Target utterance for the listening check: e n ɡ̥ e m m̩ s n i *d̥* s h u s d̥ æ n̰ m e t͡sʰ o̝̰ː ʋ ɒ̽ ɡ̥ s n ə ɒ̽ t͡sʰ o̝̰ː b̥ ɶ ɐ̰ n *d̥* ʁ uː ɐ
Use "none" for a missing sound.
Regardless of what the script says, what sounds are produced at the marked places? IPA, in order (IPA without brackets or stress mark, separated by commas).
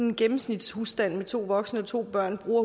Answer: d̥, b̥